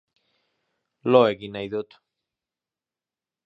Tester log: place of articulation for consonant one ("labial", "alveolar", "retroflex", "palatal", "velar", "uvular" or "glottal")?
alveolar